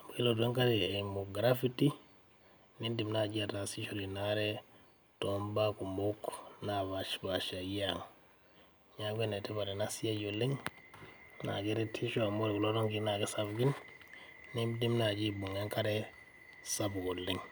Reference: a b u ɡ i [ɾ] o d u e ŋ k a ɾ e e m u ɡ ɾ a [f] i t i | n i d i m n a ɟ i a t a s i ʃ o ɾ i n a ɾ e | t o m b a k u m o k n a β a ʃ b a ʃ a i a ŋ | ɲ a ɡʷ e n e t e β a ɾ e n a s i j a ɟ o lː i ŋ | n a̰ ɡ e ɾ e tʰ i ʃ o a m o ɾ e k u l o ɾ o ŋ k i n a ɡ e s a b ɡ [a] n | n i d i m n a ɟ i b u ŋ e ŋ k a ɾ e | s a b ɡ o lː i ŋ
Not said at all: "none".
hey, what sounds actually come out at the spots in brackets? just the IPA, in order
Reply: l, f, i

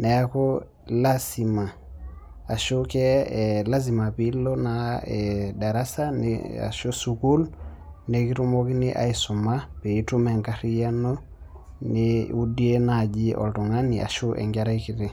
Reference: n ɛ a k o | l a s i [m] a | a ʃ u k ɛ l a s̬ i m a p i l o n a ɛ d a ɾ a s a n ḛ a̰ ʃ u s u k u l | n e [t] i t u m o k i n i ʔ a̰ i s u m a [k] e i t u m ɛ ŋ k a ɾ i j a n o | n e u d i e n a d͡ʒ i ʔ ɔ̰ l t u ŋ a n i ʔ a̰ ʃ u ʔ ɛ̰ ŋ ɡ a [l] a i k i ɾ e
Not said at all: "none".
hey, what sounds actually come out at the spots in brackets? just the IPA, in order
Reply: m, k, p, ɾ

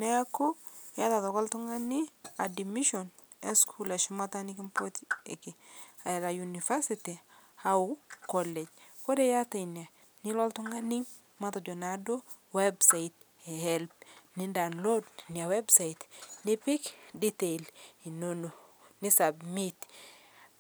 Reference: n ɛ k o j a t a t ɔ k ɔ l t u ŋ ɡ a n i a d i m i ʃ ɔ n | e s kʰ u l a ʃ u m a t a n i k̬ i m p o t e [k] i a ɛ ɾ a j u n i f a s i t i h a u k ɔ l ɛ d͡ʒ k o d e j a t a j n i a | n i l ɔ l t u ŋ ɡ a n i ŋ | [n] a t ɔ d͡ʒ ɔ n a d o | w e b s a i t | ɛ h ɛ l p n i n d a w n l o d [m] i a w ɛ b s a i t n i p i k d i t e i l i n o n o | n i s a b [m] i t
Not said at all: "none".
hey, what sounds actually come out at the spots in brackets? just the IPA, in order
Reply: k, m, n, m

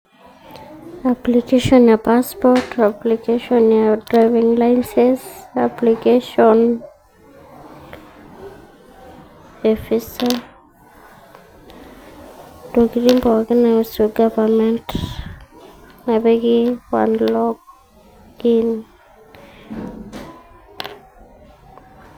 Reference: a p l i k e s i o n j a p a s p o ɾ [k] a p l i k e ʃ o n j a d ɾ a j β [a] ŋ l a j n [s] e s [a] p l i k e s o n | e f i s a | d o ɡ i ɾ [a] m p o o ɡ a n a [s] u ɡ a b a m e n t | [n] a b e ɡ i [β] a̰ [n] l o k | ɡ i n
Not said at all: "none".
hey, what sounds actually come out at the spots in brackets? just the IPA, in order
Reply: t, i, s, a, i, s, n, w, n

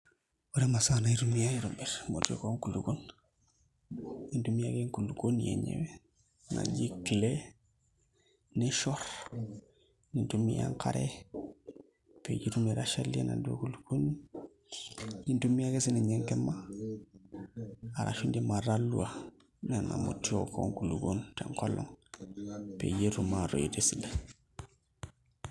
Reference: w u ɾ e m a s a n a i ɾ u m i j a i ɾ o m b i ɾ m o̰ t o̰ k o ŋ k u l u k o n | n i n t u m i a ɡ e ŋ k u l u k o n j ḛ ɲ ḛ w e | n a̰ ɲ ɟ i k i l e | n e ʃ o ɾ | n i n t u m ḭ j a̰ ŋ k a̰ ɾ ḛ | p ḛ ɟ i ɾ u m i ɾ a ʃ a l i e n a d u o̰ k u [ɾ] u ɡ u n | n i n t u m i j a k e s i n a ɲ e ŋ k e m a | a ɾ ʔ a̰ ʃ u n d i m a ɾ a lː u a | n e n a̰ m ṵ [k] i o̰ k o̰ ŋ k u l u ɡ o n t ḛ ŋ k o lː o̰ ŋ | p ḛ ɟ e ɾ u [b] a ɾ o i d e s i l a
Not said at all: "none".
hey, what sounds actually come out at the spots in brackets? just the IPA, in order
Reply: l, t, m

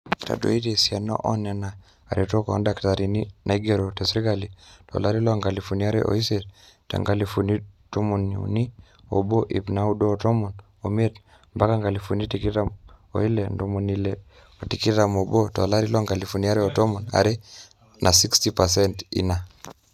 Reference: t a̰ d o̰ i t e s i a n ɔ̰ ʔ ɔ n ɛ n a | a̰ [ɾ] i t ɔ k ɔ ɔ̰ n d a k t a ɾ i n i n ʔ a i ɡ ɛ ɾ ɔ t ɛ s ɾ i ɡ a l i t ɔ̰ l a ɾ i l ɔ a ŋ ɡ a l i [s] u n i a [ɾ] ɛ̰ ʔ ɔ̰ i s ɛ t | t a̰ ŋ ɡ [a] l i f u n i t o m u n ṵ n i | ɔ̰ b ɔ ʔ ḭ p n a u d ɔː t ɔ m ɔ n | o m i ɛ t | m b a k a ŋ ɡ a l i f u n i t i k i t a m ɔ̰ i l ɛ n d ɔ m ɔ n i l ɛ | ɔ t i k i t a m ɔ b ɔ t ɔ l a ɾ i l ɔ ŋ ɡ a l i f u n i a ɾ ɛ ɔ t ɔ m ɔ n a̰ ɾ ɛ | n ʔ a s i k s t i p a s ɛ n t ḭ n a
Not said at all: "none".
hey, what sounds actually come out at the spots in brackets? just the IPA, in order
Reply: ɾ, f, ɾ, a

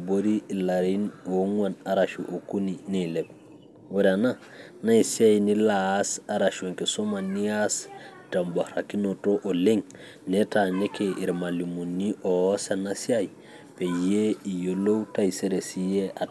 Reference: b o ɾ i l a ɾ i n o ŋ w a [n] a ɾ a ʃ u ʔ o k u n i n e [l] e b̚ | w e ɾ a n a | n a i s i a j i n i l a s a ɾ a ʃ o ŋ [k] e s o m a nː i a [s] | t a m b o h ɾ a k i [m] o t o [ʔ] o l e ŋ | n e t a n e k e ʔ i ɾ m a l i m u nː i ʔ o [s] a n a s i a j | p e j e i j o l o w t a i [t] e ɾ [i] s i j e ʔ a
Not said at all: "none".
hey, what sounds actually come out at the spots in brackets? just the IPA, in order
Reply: n, l, k, s, n, ʔ, s, s, e

